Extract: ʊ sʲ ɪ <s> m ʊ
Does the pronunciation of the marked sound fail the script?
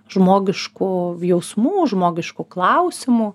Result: yes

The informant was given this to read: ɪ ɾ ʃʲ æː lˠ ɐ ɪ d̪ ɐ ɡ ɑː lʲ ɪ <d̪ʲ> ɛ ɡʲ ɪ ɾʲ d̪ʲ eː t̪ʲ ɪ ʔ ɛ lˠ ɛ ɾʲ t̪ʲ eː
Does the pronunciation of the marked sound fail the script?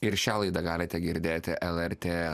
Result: yes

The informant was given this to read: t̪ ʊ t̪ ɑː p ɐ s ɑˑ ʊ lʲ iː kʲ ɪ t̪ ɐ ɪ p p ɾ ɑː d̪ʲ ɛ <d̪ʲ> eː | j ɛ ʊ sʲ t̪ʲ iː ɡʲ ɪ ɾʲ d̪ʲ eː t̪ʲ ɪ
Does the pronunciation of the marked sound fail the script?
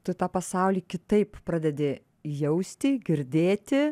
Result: no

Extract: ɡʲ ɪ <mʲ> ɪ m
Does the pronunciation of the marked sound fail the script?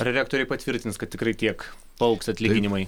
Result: yes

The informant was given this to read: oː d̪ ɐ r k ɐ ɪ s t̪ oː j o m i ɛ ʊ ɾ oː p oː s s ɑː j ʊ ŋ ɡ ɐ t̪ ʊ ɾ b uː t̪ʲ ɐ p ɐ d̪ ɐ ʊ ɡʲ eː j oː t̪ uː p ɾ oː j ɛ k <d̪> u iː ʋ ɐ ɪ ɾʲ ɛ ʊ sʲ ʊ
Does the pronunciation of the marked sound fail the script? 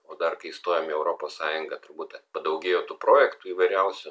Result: yes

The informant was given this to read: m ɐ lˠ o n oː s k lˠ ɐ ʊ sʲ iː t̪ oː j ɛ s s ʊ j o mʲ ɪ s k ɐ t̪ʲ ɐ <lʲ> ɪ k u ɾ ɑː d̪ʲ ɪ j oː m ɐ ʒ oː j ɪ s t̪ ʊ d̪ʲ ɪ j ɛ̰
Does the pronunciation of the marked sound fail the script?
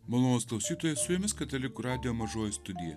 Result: no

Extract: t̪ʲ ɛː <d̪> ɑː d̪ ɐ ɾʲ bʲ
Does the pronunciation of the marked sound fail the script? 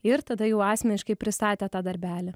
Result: yes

